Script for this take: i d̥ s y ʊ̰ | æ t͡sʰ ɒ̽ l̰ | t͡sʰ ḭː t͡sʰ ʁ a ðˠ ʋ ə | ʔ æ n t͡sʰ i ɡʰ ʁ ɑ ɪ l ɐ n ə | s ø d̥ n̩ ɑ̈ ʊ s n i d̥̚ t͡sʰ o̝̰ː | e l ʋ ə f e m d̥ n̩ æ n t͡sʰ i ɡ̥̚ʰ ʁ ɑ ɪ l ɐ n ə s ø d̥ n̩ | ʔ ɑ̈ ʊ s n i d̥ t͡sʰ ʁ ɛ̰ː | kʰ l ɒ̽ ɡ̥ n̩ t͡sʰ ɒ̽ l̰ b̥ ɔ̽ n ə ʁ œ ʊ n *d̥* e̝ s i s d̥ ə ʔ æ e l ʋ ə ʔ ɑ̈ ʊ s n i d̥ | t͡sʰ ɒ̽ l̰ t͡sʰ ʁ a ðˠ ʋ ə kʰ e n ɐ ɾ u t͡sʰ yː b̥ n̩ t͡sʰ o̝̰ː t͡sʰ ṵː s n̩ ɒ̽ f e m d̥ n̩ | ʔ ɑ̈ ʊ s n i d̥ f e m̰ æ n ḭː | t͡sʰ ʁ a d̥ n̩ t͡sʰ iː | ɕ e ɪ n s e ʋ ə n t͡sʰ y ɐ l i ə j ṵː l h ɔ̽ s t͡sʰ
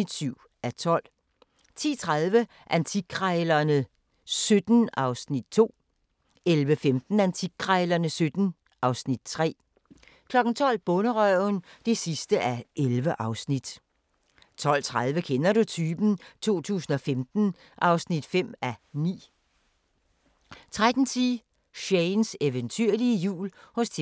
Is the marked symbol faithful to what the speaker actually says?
yes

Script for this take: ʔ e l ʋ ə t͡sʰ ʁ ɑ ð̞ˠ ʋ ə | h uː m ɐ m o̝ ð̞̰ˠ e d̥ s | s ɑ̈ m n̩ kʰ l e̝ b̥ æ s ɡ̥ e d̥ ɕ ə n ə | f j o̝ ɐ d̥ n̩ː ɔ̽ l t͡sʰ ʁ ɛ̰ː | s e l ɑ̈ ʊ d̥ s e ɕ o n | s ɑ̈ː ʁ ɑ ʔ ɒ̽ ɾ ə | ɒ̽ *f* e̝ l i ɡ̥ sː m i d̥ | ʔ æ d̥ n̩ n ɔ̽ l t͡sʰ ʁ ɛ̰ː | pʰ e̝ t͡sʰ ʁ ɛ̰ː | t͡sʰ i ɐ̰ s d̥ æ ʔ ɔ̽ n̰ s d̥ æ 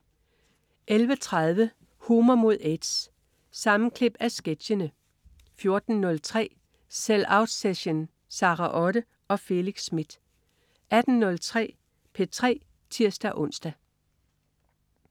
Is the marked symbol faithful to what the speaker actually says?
yes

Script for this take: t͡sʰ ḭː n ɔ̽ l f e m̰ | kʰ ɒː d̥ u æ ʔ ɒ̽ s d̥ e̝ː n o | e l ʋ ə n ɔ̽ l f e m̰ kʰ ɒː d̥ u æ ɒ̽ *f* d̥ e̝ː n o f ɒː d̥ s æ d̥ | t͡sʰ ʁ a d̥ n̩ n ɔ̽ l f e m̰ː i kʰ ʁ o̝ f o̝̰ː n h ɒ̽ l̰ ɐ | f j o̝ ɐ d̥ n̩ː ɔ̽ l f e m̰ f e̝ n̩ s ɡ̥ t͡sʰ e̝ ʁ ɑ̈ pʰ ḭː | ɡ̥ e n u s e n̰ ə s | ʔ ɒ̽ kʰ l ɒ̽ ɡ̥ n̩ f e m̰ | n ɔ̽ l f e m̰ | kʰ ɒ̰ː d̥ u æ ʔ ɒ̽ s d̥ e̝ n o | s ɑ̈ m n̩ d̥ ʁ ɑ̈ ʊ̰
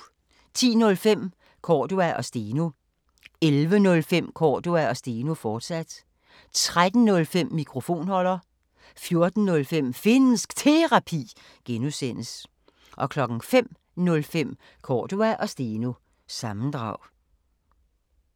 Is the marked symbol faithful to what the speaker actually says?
no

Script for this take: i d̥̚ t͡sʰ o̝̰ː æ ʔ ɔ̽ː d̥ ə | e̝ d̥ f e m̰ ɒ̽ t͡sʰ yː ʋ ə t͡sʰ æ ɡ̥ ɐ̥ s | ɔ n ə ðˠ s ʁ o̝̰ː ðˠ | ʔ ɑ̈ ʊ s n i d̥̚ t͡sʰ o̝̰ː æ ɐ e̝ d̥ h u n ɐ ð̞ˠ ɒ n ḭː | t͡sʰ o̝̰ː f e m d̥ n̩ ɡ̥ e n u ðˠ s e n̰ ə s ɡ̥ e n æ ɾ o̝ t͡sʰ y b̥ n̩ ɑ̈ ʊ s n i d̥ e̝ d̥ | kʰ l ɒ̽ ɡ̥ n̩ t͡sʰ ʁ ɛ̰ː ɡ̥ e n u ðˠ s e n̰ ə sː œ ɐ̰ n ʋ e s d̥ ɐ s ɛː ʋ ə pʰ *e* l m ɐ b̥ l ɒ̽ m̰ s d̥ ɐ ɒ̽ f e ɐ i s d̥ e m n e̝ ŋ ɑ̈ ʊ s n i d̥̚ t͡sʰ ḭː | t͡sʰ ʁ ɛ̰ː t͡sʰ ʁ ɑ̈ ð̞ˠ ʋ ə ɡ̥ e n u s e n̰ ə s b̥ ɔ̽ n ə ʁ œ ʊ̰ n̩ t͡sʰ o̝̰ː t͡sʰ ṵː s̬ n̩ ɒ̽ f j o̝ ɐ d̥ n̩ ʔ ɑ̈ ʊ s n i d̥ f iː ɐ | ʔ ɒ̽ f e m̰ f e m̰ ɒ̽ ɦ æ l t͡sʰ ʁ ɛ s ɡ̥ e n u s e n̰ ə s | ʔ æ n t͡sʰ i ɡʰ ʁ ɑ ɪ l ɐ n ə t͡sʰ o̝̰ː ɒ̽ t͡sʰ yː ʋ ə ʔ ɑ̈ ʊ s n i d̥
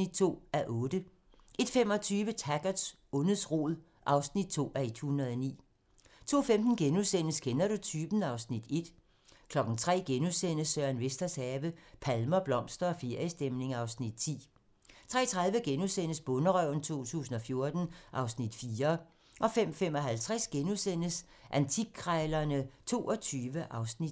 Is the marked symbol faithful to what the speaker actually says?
no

